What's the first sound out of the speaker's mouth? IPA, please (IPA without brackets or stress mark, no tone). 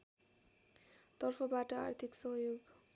t̪